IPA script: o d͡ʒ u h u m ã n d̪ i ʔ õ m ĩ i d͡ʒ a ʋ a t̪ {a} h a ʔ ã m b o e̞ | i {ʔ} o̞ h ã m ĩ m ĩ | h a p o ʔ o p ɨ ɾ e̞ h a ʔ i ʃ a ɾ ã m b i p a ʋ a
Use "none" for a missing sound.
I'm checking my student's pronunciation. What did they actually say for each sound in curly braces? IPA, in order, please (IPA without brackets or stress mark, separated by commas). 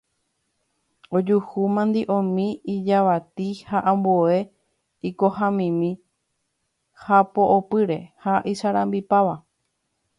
i, k